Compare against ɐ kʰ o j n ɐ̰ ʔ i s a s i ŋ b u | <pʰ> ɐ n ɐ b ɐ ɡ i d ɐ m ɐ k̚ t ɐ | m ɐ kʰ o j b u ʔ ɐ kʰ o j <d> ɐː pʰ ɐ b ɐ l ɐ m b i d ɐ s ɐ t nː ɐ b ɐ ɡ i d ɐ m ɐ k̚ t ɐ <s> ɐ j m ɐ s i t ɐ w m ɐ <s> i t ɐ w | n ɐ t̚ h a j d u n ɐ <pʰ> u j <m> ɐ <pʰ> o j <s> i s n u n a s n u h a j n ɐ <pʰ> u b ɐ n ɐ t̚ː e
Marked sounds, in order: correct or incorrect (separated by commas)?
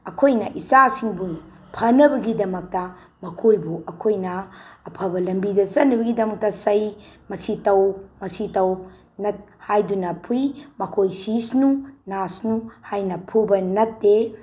correct, incorrect, correct, correct, correct, correct, incorrect, correct, correct